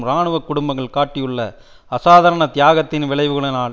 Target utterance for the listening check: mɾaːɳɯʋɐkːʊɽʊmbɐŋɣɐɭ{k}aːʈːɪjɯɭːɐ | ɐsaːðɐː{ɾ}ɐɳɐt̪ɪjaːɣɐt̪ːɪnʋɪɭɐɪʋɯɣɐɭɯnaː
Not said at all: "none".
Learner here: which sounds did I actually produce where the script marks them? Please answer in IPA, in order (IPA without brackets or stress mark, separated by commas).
k, ɾ